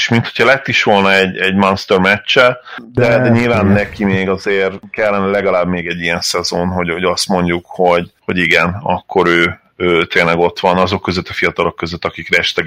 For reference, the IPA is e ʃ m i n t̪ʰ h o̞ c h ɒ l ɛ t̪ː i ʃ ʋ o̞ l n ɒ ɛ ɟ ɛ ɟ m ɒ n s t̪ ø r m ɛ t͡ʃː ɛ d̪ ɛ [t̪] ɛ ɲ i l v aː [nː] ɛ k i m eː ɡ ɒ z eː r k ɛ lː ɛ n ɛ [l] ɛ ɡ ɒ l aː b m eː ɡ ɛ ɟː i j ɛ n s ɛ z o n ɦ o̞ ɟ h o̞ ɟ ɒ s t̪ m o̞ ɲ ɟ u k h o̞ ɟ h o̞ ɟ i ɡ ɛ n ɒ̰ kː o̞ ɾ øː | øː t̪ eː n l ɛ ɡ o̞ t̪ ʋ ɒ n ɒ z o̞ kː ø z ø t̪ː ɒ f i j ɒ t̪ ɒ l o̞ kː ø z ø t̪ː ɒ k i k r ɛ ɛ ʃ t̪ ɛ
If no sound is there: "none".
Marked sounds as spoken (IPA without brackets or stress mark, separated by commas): d̪, nː, l